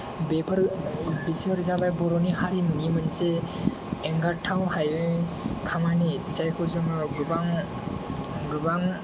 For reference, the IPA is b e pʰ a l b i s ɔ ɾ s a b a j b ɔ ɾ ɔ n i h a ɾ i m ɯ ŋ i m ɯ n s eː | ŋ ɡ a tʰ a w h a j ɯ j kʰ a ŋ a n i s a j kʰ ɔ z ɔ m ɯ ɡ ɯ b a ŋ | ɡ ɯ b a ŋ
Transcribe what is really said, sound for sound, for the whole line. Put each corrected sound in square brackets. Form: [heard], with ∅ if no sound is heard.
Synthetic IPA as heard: b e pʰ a [ɾ] b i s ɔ ɾ [z] a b a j b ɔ ɾ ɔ n i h a ɾ i m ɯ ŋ i m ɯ n s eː | ŋ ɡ a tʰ a w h a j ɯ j kʰ a [m] a n i [z] a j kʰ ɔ z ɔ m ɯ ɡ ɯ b a ŋ | ɡ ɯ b a ŋ

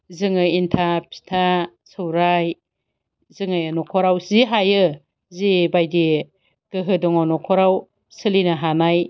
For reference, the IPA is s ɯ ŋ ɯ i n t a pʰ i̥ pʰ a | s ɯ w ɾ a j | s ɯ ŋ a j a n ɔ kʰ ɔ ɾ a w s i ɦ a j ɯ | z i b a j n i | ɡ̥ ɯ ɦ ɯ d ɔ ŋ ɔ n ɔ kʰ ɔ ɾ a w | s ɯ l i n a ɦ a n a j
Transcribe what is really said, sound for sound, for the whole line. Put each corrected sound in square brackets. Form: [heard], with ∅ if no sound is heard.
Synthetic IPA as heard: [z] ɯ ŋ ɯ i n [tʰ] a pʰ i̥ [tʰ] a | s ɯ w ɾ a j | [z] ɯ ŋ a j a n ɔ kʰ ɔ ɾ a w [z] i ɦ a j ɯ | z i b a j [d] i | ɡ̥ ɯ ɦ ɯ d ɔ ŋ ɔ n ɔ kʰ ɔ ɾ a w | s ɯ l i n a ɦ a n a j

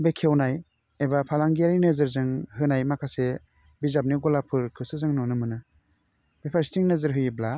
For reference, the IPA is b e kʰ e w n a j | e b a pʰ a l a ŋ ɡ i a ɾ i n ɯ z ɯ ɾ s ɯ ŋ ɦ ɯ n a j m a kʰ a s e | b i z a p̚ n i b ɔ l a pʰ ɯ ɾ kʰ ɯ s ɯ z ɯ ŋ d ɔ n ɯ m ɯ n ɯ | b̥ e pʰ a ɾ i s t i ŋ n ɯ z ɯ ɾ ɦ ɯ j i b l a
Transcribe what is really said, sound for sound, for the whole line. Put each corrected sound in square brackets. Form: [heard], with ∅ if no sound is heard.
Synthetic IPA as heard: b e kʰ e w n a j | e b a pʰ a l a ŋ ɡ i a ɾ i n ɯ z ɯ ɾ [z] ɯ ŋ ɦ ɯ n a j m a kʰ a s e | b i z a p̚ n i [ɡ] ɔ l a pʰ ɯ ɾ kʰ ɯ s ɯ z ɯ ŋ [n] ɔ n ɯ m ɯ n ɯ | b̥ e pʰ a ɾ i s t i ŋ n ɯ z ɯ ɾ ɦ ɯ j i b l a

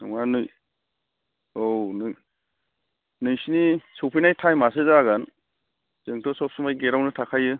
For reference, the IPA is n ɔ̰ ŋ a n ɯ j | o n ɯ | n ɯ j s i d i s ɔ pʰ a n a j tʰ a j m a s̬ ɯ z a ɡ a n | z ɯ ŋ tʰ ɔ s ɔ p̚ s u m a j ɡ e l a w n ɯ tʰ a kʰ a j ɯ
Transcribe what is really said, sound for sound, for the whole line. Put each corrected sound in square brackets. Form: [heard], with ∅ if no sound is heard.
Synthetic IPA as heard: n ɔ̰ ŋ a n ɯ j | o n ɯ | n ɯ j s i [n] i s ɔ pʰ [i] n a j tʰ a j m a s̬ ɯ z a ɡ a n | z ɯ ŋ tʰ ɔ s ɔ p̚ s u m a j ɡ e [ɾ] a w n ɯ tʰ a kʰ a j ɯ

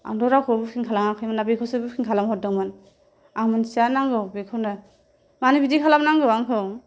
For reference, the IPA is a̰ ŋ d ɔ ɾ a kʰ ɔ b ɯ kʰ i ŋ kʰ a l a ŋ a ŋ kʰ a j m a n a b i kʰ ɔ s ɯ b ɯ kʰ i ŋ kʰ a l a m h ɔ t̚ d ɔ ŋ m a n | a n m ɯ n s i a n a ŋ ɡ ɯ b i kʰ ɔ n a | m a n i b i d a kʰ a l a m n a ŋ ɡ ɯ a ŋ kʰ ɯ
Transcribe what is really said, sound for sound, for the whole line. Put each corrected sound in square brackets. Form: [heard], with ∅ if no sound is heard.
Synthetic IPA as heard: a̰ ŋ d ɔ ɾ a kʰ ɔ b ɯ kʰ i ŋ kʰ a l a ŋ a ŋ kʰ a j m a n a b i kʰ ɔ s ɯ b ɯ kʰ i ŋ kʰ a l a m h ɔ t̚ d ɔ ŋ m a n | a [ŋ] m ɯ n s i a n a ŋ ɡ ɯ b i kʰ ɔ n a | m a n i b i d [i] kʰ a l a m n a ŋ ɡ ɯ a ŋ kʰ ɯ

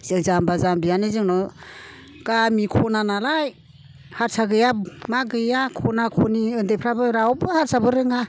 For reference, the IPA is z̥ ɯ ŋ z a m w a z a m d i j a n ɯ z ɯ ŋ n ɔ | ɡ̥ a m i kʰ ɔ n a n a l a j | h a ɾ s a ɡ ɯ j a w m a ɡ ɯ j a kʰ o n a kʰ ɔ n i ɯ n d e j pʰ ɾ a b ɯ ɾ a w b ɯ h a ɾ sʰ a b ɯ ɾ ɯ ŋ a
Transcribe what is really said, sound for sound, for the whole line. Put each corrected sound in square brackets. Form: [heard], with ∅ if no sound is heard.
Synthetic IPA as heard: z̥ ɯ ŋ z a m [b] a z a m [b] i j a n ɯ z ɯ ŋ n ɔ | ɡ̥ a m i kʰ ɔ n a n a l a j | h a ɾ s a ɡ ɯ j a [∅] m a ɡ ɯ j a kʰ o n a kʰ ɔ n i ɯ n d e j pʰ ɾ a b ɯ ɾ a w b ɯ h a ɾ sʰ a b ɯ ɾ ɯ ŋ a

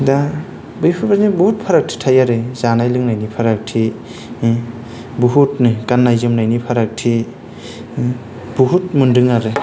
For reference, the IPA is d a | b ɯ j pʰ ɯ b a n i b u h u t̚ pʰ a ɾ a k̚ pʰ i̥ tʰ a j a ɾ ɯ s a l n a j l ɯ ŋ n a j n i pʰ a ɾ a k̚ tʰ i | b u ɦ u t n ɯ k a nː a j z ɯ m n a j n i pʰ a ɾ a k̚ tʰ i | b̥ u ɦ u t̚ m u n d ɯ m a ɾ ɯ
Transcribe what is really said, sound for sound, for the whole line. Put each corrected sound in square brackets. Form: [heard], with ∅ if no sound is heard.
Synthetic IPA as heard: d a | b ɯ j pʰ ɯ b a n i b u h u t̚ pʰ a ɾ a k̚ [tʰ] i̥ tʰ a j a ɾ ɯ [z] a [∅] n a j l ɯ ŋ n a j n i pʰ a ɾ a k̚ tʰ i | b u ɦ u t n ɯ k a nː a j z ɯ m n a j n i pʰ a ɾ a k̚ tʰ i | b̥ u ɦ u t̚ m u n d ɯ [ŋ] a ɾ ɯ

